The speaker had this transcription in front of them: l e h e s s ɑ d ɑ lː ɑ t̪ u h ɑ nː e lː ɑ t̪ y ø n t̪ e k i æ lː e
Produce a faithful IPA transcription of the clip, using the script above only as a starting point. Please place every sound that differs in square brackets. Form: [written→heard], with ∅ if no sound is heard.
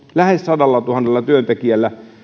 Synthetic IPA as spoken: l [e→æ] h e s s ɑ d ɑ lː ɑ t̪ u h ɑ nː e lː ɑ t̪ y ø n t̪ e k i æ lː [e→æ]